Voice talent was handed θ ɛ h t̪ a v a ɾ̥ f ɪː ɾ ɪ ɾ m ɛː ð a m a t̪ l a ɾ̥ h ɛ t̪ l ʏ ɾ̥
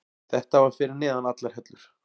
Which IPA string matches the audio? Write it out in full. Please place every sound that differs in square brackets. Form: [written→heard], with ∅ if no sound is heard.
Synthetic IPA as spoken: θ ɛ h t̪ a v a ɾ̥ f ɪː ɾ ɪ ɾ [m→n] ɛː ð a [m→n] a t̪ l a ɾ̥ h ɛ t̪ l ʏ ɾ̥